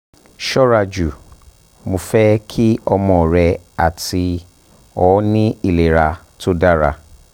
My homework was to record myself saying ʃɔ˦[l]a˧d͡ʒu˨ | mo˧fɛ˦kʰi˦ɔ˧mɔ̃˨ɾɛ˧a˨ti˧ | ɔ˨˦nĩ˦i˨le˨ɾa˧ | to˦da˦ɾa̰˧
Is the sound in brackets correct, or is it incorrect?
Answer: incorrect